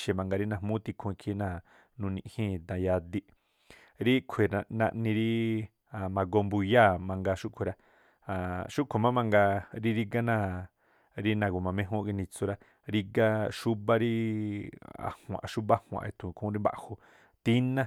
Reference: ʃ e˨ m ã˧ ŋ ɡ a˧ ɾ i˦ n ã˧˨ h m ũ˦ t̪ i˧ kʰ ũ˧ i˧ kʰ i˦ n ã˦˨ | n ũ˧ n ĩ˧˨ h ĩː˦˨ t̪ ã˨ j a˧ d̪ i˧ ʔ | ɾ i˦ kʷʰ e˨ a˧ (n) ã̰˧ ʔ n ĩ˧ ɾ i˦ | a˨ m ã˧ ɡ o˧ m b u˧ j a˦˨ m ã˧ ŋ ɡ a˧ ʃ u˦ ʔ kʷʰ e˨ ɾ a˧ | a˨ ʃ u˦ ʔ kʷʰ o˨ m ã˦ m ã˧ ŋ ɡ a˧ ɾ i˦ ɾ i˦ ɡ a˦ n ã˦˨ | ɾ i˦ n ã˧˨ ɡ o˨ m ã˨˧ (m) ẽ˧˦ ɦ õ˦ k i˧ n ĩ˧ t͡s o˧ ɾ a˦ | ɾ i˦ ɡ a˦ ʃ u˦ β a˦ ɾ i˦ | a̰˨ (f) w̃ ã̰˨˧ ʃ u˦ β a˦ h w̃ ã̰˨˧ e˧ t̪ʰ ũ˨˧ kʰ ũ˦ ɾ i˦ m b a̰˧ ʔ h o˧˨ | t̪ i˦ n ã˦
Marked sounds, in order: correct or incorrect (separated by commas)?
correct, correct, incorrect